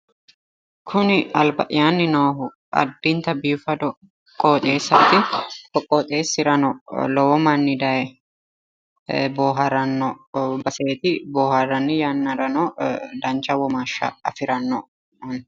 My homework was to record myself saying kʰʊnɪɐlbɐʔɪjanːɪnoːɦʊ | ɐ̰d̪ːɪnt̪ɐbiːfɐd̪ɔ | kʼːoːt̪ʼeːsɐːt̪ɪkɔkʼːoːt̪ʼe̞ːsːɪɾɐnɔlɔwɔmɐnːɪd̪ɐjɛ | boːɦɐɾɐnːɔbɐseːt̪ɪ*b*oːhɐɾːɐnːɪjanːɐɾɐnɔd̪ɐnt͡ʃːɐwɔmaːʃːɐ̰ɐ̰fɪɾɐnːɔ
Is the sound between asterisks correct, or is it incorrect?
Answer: correct